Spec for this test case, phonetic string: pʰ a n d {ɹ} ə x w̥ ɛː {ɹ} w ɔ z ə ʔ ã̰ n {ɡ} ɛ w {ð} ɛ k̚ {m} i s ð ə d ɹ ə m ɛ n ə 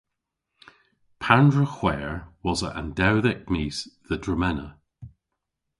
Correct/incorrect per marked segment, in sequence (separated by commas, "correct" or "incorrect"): correct, correct, incorrect, correct, correct